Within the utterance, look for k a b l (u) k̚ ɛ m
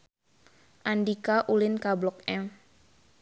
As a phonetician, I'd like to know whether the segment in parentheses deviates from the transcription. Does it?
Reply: yes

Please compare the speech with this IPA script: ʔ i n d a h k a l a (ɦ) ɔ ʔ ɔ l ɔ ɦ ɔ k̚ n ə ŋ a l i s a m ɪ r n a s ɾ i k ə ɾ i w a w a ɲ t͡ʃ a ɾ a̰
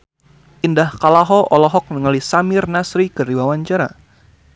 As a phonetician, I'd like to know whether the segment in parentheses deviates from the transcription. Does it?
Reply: no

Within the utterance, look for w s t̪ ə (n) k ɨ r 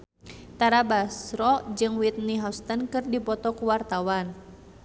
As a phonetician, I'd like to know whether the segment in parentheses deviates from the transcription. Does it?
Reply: no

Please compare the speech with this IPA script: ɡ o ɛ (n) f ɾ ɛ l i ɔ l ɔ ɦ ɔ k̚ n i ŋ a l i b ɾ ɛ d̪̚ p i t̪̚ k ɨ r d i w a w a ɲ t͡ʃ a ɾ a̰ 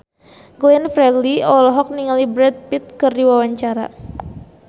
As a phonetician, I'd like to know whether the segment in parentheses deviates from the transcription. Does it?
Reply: no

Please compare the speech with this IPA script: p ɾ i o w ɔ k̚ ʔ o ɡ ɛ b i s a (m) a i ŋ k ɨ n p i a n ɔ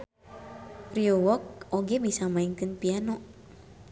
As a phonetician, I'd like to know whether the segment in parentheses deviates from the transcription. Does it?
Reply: no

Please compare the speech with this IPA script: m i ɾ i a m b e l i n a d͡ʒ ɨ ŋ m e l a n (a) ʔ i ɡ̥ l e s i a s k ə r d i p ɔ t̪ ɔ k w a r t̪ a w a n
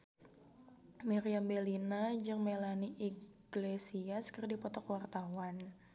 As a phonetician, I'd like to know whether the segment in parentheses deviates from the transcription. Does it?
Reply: yes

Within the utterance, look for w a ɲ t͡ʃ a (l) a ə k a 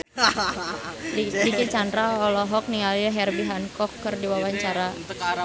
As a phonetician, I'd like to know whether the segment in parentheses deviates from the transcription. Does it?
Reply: yes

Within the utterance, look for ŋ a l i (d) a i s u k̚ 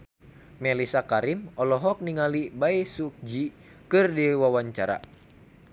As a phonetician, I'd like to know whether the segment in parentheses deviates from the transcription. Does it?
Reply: yes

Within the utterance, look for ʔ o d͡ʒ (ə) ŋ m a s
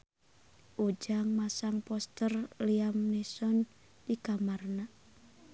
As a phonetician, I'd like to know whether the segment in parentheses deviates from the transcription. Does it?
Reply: yes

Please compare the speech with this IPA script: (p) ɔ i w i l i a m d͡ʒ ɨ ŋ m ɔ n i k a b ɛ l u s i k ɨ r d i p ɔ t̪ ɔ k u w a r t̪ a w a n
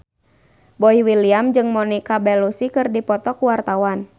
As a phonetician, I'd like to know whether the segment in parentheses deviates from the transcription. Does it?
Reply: yes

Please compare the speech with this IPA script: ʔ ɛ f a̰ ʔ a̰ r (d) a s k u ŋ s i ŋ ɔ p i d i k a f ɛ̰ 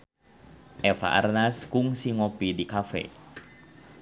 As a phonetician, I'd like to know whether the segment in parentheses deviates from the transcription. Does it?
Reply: yes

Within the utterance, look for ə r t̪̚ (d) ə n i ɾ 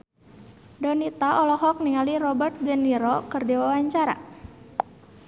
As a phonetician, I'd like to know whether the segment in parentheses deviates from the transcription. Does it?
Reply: yes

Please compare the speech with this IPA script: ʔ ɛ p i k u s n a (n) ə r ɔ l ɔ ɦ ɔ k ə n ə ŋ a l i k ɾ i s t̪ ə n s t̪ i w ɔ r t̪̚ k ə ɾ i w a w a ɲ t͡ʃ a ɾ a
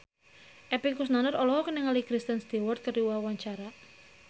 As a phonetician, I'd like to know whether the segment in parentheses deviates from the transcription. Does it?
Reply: no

